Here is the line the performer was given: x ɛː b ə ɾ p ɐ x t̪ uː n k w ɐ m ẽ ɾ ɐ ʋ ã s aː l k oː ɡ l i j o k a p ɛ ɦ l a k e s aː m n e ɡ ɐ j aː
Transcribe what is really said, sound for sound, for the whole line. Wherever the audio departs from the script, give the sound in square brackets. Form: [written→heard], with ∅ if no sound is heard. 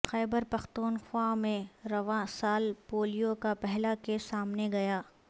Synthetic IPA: x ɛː b ə ɾ p ɐ x t̪ uː n [k→x] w [ɐ→a] m ẽ ɾ ɐ ʋ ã s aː l [k→p] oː [ɡ→∅] l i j o k a p ɛ ɦ l a k e s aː m n e ɡ ɐ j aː